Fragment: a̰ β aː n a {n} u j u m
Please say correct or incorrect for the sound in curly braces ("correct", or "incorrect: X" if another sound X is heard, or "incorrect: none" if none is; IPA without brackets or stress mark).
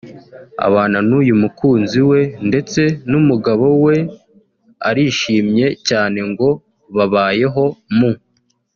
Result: correct